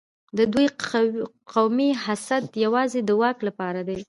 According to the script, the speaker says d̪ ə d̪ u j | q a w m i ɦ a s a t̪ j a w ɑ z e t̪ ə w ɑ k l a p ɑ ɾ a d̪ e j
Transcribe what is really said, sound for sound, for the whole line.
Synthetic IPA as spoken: d̪ ə d̪ u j | q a w m i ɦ a s a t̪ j a w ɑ z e d̪ ə w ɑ k l a p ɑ ɾ a d̪ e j